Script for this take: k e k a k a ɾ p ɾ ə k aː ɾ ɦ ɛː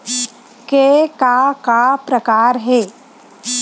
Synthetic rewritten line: k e k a k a p ɾ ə k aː ɾ ɦ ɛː